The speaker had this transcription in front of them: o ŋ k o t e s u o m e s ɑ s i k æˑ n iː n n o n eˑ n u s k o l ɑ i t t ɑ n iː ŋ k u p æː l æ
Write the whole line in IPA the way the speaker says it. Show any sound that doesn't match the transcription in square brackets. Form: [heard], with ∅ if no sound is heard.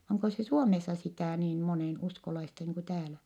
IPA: o ŋ k o [s] e s u o m e [sː] ɑ s i [t] æˑ n iː n [m] o n eˑ n u s k o l ɑ i [s] t ɑ n iː ŋ k u [t] æː l æ